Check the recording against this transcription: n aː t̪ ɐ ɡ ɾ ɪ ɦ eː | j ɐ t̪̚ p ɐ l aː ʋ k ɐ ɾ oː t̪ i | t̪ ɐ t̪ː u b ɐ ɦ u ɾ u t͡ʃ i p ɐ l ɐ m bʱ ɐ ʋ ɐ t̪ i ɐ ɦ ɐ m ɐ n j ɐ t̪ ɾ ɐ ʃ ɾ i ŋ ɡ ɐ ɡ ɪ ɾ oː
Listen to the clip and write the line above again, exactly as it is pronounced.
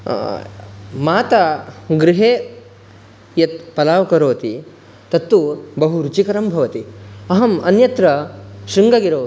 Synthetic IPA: m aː t̪ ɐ ɡ ɾ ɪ ɦ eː | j ɐ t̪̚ p ɐ l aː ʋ k ɐ ɾ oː t̪ i | t̪ ɐ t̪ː u b ɐ ɦ u ɾ u t͡ʃ i k ɐ ɾ ɐ m bʱ ɐ ʋ ɐ t̪ i ɐ ɦ ɐ m ɐ n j ɐ t̪ ɾ ɐ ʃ ɾ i ŋ ɡ ɐ ɡ i ɾ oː